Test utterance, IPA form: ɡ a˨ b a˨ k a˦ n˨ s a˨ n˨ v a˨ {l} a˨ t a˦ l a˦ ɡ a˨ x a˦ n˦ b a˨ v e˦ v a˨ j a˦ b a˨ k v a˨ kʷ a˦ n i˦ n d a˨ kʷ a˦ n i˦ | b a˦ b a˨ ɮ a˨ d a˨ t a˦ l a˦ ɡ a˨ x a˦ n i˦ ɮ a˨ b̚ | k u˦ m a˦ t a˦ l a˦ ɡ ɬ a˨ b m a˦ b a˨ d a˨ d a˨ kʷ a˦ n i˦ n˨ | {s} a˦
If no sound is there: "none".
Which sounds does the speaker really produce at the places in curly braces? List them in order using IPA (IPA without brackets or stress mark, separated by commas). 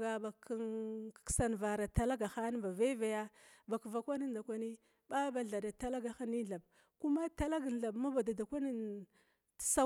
ɾ, s